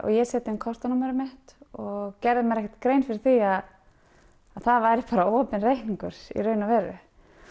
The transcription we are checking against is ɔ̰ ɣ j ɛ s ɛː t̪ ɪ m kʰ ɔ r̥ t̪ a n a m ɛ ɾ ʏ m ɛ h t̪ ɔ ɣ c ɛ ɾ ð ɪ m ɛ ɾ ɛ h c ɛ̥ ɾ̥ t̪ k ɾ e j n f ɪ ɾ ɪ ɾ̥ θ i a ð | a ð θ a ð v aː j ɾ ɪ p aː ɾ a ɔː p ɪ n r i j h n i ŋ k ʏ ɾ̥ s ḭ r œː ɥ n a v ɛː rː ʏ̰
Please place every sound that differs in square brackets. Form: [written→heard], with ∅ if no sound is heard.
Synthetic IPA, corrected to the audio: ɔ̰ ɣ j ɛ s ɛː t̪ ɪ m kʰ ɔ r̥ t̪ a n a m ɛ ɾ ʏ m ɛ h t̪ ɔ ɣ c ɛ ɾ ð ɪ m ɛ ɾ ɛ h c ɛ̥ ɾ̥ t̪ k ɾ e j n f ɪ ɾ ɪ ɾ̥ θ i a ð | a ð θ a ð v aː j ɾ ɪ p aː ɾ a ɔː p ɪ n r [i→e] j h n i ŋ k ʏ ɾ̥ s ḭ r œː ɥ n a v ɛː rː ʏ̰